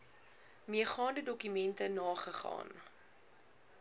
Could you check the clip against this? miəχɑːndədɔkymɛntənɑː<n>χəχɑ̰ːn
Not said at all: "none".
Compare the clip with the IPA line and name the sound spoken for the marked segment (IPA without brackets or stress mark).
none